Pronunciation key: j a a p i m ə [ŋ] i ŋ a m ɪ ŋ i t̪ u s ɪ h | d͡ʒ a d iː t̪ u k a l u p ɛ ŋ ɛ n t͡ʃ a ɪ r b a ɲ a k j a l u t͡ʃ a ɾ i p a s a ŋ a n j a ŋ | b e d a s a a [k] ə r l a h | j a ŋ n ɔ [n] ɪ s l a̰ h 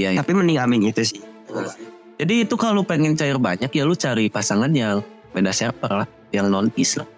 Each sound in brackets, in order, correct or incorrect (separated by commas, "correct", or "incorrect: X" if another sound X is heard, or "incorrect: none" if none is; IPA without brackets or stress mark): incorrect: n, incorrect: p, correct